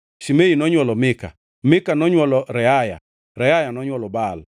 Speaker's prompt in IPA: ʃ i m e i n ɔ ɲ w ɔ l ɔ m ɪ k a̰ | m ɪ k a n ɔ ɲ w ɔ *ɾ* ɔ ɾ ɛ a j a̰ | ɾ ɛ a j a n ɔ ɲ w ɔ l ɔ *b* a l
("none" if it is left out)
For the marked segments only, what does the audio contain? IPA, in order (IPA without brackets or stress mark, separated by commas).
l, b